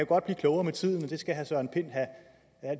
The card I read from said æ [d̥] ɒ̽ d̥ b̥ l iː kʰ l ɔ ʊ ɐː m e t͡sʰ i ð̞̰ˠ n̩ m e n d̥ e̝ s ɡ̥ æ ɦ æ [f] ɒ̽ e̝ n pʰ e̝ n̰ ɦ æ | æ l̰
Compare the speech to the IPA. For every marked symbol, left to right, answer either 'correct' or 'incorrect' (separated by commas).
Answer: incorrect, incorrect